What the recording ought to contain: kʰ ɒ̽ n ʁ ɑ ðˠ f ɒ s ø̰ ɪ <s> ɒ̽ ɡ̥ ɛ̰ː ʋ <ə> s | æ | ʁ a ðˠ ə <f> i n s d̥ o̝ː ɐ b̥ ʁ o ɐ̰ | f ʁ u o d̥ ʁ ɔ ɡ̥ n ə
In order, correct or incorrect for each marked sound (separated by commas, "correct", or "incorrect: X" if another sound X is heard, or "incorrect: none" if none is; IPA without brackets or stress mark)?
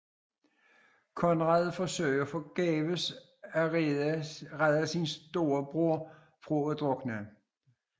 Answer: incorrect: f, correct, incorrect: s